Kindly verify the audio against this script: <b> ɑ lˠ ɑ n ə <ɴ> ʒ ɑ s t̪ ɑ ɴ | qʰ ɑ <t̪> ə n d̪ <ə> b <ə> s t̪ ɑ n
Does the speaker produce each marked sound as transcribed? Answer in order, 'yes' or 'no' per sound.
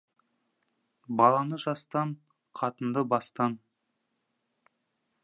yes, no, yes, yes, no

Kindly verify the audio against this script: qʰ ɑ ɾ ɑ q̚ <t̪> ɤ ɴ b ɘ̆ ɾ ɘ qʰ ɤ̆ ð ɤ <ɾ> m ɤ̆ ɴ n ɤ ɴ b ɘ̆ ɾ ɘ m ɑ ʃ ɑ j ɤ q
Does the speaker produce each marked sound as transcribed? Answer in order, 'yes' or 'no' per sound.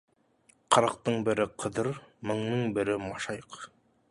yes, yes

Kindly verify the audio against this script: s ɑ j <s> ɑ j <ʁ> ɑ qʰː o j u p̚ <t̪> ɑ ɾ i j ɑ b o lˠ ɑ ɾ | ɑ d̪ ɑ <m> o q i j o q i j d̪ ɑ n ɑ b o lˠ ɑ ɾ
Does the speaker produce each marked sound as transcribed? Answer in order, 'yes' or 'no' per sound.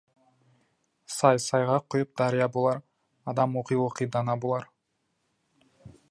yes, yes, no, yes

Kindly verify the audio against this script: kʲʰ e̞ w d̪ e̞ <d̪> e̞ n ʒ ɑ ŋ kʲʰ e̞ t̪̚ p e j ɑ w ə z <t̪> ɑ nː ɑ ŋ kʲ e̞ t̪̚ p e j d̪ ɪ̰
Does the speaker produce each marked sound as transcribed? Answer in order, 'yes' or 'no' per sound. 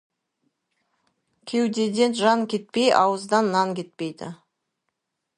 yes, no

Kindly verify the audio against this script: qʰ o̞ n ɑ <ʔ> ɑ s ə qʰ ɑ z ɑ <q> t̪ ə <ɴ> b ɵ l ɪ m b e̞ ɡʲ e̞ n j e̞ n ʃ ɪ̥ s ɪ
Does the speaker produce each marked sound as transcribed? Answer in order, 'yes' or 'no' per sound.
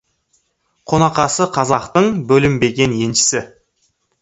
no, yes, yes

